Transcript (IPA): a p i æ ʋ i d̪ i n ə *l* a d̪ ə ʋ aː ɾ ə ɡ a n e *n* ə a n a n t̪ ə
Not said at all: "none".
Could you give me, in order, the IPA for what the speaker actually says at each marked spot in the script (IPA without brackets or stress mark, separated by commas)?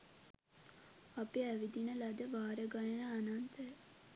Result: l, n